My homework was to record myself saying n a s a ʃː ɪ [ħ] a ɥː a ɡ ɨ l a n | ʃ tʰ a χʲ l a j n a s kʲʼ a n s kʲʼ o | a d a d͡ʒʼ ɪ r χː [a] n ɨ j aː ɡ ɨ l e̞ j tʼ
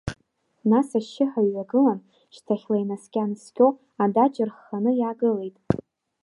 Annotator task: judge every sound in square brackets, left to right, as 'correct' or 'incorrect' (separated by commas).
correct, correct